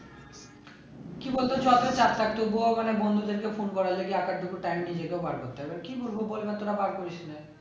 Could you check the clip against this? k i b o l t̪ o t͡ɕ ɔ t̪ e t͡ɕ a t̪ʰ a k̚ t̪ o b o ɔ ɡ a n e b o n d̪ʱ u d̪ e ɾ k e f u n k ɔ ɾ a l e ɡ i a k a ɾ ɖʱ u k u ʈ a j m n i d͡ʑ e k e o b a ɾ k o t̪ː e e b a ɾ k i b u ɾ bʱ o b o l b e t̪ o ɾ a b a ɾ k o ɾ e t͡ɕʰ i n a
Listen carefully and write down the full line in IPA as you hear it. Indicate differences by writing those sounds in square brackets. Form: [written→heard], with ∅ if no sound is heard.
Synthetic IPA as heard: k i b o l t̪ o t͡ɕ ɔ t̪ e t͡ɕ a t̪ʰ a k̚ t̪ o b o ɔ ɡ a n e b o n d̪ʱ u d̪ e ɾ k e f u n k ɔ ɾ a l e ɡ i a k a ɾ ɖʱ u k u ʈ a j m n i d͡ʑ e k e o b a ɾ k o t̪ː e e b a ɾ k i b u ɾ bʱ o b o l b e t̪ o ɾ a b a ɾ k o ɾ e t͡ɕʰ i n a